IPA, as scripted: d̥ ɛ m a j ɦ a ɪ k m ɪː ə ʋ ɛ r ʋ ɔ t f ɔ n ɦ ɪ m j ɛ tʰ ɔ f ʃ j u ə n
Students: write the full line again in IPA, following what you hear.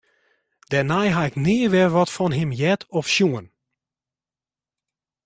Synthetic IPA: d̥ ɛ n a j ɦ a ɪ k n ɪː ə ʋ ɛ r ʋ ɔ t f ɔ n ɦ ɪ m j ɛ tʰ ɔ f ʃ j u ə n